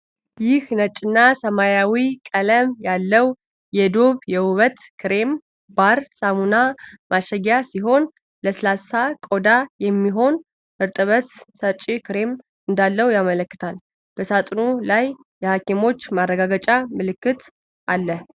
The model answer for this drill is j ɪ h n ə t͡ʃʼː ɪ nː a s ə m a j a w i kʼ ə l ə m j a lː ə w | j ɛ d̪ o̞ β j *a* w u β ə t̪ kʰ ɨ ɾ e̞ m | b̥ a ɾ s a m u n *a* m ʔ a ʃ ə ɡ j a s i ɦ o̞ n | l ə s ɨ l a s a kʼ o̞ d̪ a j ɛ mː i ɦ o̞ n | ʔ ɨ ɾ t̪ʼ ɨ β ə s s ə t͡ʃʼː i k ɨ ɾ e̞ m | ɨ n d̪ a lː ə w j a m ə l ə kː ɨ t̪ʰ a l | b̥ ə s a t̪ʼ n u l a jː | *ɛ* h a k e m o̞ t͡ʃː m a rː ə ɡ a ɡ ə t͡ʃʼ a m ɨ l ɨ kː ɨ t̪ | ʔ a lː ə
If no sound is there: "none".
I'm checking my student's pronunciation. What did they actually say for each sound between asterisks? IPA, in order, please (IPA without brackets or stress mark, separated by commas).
ɛ, a, ɛ